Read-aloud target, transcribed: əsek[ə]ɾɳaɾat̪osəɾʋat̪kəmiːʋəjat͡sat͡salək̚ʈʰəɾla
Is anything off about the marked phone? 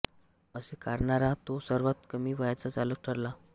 yes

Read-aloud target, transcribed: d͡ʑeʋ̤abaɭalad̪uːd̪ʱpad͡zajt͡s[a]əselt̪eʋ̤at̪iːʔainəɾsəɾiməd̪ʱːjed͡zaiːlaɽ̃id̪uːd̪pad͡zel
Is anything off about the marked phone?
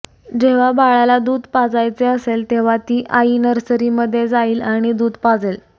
yes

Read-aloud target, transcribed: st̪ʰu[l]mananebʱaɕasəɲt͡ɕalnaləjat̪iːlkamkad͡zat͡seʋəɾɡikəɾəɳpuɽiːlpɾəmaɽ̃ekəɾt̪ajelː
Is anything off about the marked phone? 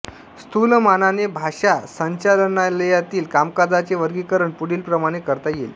no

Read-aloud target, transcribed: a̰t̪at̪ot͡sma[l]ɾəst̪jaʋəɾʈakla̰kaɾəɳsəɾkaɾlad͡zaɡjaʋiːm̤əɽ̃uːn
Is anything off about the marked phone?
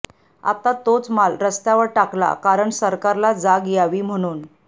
no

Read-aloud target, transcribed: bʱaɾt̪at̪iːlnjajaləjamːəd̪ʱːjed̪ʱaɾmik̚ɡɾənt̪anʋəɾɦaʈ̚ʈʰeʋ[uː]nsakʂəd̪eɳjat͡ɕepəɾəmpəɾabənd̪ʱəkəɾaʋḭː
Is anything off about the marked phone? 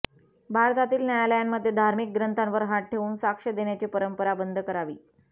no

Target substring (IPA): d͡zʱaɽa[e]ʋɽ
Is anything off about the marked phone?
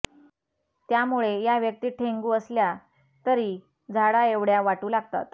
no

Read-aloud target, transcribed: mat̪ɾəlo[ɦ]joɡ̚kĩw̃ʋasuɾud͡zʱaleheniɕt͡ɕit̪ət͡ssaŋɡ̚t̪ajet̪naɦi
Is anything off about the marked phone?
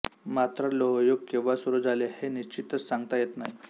no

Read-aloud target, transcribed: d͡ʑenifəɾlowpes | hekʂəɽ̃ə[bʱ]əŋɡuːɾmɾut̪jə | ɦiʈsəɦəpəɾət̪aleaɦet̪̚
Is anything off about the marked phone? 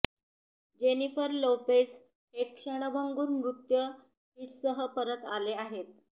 no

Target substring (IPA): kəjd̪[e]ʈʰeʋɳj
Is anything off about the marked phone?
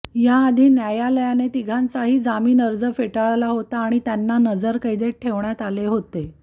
no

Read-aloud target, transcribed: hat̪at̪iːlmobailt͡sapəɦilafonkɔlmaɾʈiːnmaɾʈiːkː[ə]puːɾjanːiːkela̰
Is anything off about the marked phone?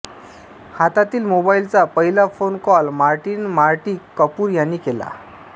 no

